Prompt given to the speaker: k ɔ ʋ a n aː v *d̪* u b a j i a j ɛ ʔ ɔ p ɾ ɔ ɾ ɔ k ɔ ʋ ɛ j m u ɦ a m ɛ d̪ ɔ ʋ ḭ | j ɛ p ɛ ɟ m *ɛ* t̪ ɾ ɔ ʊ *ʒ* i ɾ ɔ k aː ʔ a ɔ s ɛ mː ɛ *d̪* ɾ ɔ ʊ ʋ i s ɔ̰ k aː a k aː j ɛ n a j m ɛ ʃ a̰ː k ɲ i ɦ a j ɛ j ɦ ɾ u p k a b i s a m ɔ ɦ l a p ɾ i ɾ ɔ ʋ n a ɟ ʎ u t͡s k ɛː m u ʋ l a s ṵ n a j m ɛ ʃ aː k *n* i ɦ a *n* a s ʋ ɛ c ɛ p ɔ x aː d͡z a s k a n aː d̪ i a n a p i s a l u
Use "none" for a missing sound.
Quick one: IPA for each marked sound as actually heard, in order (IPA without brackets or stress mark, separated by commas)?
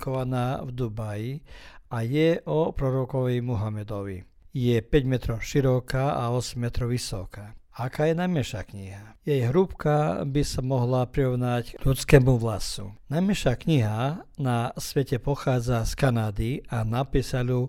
d̪, ɛ, ʃ, t̪, ɲ, n